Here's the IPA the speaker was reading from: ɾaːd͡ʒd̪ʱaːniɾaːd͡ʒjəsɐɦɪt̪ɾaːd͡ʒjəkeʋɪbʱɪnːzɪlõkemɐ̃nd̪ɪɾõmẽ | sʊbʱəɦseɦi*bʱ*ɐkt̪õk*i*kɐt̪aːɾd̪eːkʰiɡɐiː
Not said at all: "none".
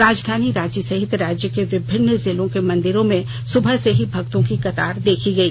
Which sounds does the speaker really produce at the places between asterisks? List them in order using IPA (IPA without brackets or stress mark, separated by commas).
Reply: bʱ, i